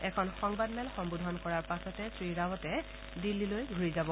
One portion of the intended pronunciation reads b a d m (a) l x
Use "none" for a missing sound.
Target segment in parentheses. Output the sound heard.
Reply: ɛ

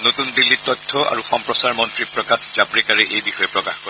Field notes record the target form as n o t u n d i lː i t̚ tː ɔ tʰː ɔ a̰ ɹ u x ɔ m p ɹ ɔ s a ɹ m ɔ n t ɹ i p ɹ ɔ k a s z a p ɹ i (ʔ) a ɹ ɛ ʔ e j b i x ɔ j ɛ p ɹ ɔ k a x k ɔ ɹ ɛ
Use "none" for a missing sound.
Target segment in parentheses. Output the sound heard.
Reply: k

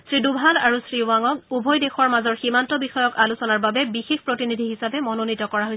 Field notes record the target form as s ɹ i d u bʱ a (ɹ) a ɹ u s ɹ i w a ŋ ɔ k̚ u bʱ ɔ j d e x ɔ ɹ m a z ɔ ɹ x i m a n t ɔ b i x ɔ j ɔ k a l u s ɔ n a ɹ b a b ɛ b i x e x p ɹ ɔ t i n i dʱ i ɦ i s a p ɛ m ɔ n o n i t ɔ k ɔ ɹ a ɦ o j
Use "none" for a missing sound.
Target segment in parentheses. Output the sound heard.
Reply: l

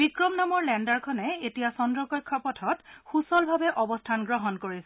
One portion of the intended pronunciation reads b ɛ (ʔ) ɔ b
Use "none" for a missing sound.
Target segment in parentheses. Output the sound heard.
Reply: ʔ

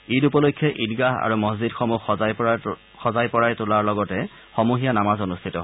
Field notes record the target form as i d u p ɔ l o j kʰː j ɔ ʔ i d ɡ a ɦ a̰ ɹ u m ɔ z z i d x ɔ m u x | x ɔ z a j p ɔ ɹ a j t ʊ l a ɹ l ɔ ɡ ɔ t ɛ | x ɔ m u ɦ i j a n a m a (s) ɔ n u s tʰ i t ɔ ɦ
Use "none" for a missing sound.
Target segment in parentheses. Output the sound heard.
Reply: z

